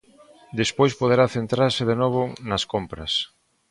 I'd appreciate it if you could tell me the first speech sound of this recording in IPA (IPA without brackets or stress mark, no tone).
d̪